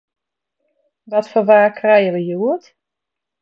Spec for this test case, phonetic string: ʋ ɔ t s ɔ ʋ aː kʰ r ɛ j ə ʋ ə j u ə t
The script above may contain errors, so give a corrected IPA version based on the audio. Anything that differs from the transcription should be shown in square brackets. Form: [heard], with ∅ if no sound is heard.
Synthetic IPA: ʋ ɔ t [f] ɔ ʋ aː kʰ r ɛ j ə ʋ ə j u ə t